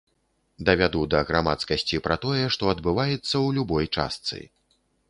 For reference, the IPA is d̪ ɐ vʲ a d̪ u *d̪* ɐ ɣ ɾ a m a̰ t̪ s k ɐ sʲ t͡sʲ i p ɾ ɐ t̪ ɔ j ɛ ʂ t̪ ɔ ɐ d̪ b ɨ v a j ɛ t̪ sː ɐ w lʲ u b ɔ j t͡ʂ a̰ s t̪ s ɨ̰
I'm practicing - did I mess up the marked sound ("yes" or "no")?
no